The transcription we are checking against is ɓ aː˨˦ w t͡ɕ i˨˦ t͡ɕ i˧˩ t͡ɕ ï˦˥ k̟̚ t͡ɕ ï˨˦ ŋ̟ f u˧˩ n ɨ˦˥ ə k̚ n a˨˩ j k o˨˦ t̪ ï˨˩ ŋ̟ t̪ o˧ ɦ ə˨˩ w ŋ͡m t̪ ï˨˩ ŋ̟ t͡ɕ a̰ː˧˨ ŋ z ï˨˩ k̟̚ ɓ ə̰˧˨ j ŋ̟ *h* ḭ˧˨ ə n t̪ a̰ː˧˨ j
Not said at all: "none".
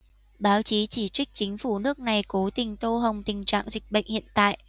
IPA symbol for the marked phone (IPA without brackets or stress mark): h